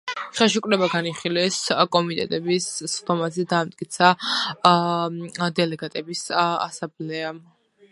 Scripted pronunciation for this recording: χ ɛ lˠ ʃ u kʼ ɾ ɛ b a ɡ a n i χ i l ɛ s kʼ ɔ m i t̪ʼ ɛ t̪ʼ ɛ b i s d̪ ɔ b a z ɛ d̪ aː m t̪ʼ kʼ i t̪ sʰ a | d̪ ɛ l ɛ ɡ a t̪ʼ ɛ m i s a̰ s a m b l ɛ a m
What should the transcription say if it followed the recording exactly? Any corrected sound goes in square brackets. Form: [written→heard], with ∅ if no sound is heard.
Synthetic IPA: χ ɛ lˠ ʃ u kʼ ɾ ɛ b a ɡ a n i χ i l ɛ s kʼ ɔ m i t̪ʼ ɛ t̪ʼ ɛ b i s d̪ ɔ [b→m] a z ɛ d̪ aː m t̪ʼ kʼ i t̪ sʰ a | d̪ ɛ l ɛ ɡ a t̪ʼ ɛ [m→b] i s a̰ s a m b l ɛ a m